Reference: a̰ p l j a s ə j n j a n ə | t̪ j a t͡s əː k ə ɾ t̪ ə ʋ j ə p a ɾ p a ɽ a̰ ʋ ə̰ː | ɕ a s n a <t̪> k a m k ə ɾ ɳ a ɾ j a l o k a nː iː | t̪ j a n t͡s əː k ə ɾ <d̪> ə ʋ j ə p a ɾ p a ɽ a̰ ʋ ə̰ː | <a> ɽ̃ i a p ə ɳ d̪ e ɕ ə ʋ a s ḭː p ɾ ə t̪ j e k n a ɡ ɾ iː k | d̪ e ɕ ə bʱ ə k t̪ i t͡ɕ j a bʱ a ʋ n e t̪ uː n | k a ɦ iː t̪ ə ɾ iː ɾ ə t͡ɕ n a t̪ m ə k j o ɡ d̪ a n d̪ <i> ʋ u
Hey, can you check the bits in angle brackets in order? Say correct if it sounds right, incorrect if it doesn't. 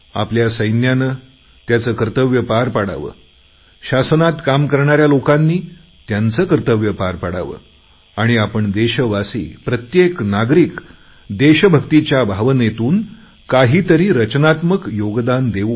correct, incorrect: t̪, correct, incorrect: e

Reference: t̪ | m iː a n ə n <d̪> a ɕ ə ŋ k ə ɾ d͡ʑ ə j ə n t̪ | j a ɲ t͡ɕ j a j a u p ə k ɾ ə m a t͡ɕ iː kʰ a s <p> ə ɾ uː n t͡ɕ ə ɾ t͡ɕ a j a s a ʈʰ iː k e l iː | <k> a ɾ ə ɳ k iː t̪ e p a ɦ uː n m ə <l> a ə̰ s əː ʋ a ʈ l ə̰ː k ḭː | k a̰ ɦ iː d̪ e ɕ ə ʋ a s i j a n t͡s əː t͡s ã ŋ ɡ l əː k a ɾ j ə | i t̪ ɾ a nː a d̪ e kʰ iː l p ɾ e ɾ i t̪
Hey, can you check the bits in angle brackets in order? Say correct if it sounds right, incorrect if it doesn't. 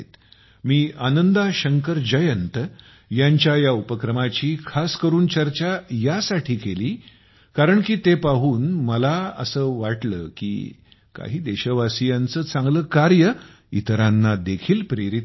correct, incorrect: k, correct, correct

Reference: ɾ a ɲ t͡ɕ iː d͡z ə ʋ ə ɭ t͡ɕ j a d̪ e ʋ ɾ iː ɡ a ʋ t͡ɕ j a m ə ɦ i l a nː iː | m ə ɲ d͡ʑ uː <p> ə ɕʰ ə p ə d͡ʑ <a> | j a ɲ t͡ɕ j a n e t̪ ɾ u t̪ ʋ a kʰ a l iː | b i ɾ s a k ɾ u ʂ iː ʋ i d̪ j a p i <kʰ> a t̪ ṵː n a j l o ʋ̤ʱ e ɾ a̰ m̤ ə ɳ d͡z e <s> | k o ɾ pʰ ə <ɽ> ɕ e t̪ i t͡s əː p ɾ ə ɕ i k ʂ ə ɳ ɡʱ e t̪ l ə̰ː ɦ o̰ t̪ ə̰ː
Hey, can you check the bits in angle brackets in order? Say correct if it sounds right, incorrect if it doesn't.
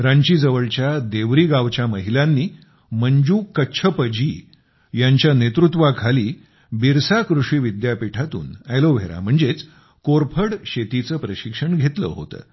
incorrect: k, incorrect: i, incorrect: ʈʰ, incorrect: t͡s, correct

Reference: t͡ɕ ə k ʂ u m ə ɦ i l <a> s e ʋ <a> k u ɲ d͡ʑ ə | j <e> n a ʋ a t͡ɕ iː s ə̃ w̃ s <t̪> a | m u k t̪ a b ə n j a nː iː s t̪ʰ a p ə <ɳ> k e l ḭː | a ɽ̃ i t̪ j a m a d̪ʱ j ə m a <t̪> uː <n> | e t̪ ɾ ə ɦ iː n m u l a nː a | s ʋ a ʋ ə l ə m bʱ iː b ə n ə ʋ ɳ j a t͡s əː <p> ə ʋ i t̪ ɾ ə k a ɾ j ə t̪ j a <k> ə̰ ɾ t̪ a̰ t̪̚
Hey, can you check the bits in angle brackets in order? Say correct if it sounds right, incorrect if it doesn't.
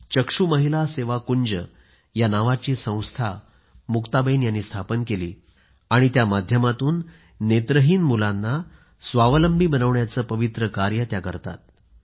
correct, correct, incorrect: a, incorrect: t̪ʰ, incorrect: n, correct, incorrect: nː, correct, correct

